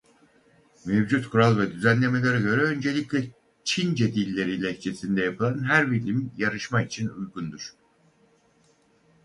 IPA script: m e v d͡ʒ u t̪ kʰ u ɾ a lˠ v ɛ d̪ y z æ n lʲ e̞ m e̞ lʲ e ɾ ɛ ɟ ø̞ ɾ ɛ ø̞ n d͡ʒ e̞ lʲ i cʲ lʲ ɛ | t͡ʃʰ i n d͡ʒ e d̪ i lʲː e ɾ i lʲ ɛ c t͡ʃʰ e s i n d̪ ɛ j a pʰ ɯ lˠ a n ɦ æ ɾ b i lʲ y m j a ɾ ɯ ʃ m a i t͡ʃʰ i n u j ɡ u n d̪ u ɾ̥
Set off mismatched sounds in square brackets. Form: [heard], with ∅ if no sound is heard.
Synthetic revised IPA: m e v d͡ʒ u t̪ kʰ u ɾ a lˠ v ɛ d̪ y z æ n lʲ e̞ m e̞ lʲ e ɾ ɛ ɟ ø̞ ɾ ɛ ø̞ n d͡ʒ e̞ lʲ i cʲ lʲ ɛ | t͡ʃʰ i n d͡ʒ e d̪ i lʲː e ɾ i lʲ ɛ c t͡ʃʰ e s i n d̪ ɛ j a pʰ ɯ lˠ a n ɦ æ ɾ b i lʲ [i] m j a ɾ ɯ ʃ m a i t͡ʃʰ i n u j ɡ u n d̪ u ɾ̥